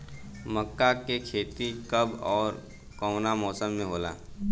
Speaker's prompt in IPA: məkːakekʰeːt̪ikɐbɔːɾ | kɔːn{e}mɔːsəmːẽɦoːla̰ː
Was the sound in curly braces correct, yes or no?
no